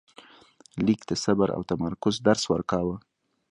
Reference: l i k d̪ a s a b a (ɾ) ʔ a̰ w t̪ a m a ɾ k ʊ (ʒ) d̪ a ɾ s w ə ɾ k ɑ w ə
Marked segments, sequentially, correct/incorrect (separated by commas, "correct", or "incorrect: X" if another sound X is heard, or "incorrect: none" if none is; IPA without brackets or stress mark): correct, incorrect: z